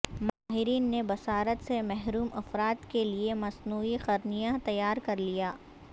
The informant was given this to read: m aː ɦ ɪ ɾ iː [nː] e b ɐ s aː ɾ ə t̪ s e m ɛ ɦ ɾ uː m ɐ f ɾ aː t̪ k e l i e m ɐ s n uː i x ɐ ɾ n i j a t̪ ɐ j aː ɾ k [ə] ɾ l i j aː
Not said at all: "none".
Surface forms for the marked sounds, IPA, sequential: nː, ɐ

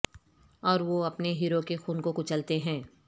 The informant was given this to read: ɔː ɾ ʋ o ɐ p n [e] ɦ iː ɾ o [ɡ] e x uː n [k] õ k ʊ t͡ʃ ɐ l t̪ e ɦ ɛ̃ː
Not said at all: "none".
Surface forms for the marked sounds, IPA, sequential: e, k, k

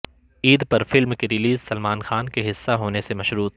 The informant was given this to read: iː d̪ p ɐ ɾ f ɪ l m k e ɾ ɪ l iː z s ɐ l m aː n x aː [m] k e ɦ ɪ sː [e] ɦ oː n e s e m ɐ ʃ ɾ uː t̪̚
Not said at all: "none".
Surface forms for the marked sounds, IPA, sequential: n, a

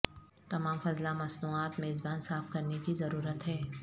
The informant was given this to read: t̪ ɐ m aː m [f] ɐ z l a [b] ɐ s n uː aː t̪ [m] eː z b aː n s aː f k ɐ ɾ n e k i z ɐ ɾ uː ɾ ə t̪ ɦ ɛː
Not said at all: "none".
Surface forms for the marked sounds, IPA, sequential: f, m, m

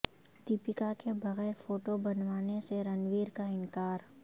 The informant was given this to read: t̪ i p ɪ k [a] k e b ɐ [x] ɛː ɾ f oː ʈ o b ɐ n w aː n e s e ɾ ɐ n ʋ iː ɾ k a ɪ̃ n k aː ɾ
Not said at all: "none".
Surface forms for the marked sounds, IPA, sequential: a, ɣ

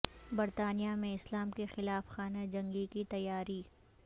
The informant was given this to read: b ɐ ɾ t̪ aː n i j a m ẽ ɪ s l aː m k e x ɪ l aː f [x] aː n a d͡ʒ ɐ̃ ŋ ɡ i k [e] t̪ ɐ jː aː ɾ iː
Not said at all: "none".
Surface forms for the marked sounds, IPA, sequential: x, i

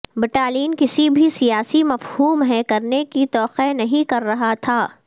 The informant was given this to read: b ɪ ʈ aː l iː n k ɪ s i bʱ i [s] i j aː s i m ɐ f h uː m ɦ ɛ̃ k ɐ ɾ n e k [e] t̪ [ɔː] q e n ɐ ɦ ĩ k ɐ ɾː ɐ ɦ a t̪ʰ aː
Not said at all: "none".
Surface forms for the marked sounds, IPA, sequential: s, i, ɔː

